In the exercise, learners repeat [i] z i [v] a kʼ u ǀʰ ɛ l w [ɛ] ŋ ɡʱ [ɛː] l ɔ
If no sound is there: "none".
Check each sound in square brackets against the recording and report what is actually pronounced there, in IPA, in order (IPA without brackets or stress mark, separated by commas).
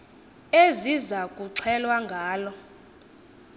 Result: e, z, a, aː